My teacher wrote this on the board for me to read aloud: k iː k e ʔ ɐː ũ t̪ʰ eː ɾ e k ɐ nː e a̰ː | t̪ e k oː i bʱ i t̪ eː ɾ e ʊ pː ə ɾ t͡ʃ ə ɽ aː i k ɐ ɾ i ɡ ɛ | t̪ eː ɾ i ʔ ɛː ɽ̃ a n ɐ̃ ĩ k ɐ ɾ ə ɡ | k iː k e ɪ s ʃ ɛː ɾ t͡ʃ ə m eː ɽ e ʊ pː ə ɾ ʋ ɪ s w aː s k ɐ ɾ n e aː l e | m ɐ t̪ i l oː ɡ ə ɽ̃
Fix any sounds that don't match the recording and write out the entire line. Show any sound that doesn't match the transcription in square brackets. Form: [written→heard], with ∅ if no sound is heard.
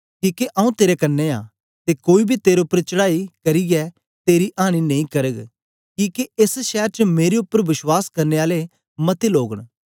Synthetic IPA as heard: k iː k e ʔ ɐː ũ [t̪ʰ→t̪] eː ɾ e k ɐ nː e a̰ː | t̪ e k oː i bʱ i t̪ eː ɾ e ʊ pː ə ɾ t͡ʃ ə ɽ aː i k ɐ ɾ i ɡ ɛ | t̪ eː ɾ i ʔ [ɛː→aː] ɽ̃ [a→i] n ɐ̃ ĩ k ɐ ɾ ə ɡ | k iː k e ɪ s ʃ ɛː ɾ t͡ʃ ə m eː [ɽ→ɾ] e ʊ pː ə ɾ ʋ ɪ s w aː s k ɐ ɾ n e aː l e | m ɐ t̪ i l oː ɡ ə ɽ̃